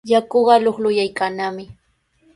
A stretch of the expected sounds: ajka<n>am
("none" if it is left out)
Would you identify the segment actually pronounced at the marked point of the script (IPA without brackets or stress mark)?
n